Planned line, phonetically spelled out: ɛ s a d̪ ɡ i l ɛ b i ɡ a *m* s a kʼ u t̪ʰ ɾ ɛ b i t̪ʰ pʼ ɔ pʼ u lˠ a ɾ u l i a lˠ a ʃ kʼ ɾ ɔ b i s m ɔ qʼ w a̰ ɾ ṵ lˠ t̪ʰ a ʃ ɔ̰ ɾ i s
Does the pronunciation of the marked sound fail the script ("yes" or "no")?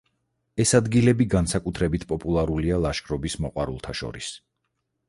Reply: yes